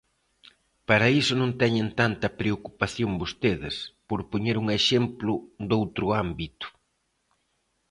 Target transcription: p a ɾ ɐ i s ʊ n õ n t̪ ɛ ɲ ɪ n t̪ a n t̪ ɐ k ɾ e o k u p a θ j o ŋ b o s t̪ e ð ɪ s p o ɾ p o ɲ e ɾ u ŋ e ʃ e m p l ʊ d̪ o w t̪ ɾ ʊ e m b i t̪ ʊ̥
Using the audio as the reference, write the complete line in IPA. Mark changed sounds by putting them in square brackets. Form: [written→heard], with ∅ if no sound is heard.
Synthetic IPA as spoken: p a ɾ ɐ i s ʊ n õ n t̪ ɛ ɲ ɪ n t̪ a n t̪ ɐ [k→p] ɾ e o k u p a θ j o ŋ b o s t̪ e ð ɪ s p o ɾ p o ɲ e ɾ u ŋ e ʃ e m p l ʊ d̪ o w t̪ ɾ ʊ [e→a] m b i t̪ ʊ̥